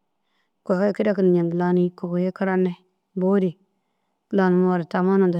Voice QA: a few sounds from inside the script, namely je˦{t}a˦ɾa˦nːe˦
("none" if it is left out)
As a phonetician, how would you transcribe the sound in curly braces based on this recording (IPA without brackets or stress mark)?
k